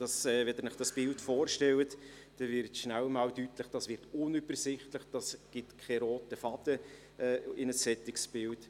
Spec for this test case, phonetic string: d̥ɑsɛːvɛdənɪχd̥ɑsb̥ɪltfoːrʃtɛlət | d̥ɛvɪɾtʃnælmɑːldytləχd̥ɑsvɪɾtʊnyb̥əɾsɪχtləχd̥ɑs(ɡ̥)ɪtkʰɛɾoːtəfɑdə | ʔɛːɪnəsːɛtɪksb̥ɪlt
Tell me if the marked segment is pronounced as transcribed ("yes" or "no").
yes